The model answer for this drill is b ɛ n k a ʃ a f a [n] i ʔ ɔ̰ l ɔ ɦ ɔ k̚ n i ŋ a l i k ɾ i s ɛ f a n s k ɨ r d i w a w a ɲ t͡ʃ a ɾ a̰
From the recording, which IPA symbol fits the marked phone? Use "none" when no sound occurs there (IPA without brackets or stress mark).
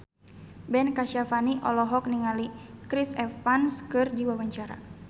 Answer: n